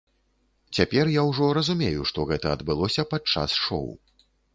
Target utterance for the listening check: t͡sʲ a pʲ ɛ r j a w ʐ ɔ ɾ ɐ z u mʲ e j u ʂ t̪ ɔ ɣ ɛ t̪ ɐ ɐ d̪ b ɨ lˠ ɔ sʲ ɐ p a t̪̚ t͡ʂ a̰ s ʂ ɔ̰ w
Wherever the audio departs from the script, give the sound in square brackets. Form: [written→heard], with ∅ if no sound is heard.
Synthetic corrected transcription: t͡sʲ a pʲ ɛ r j a w ʐ ɔ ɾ ɐ z u mʲ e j u ʂ t̪ ɔ ɣ ɛ t̪ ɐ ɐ d̪ b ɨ lˠ ɔ sʲ ɐ p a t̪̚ t͡ʂ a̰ s ʂ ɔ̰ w